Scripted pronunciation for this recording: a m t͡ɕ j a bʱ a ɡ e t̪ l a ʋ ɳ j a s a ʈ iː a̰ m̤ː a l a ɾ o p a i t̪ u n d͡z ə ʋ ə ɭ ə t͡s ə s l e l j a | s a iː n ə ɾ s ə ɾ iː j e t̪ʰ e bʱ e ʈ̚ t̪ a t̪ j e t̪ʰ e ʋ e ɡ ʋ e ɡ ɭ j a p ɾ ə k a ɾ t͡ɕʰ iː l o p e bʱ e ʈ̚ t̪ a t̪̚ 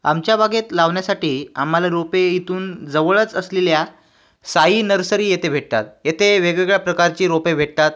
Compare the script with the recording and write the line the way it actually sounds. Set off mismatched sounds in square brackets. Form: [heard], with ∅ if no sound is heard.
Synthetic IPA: a m t͡ɕ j a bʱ a ɡ e t̪ l a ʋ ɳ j a s a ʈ iː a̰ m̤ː a l a ɾ o p [e] i t̪ [uː] n d͡z ə ʋ ə ɭ ə t͡s ə s l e l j a | s a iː n ə ɾ s ə ɾ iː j e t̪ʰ e bʱ e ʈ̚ t̪ a t̪ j e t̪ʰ e ʋ e ɡ ʋ e ɡ ɭ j a p ɾ ə k a ɾ [t͡ɕ] iː [ɾ] o p e bʱ e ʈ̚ t̪ a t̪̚